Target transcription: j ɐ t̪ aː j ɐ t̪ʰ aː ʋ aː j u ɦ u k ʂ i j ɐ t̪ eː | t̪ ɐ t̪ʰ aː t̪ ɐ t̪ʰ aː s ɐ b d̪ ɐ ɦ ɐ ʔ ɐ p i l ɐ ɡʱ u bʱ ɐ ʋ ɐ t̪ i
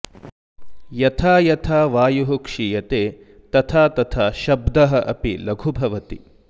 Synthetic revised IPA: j ɐ t̪ʰ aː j ɐ t̪ʰ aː ʋ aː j u ɦ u k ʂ i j ɐ t̪ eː | t̪ ɐ t̪ʰ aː t̪ ɐ t̪ʰ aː ʃ ɐ b d̪ ɐ ɦ ɐ ʔ ɐ p i l ɐ ɡʱ u bʱ ɐ ʋ ɐ t̪ i